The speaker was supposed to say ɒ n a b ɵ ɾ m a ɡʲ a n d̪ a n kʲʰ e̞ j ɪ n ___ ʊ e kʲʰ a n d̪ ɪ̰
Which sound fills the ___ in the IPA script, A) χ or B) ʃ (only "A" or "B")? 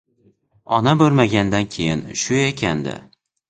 B